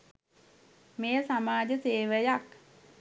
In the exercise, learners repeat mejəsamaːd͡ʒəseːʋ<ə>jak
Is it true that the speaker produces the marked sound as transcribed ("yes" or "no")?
yes